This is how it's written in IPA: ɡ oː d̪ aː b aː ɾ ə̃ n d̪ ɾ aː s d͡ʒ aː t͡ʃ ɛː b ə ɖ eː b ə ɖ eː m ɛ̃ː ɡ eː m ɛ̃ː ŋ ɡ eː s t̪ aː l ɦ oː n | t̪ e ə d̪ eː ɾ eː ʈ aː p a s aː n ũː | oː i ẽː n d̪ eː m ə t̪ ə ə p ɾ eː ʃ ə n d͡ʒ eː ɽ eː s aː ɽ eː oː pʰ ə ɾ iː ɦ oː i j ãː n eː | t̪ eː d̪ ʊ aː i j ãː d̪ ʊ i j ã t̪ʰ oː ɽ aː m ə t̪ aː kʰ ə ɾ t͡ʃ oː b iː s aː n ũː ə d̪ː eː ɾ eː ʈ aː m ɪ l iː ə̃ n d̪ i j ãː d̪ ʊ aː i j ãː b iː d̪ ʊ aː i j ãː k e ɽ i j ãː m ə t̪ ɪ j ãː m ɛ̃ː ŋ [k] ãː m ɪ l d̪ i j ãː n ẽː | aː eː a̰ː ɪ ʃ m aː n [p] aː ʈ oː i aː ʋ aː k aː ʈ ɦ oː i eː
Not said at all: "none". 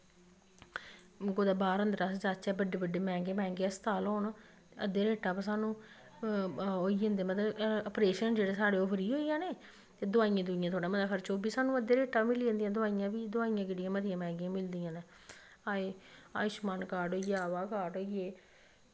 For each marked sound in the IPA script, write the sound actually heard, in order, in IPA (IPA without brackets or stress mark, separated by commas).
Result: ɡ, k